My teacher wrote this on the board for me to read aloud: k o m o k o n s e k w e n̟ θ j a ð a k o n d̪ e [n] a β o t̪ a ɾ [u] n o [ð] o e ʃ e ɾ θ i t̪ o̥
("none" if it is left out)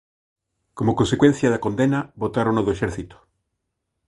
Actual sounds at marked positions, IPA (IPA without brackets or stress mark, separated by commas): n, o, ð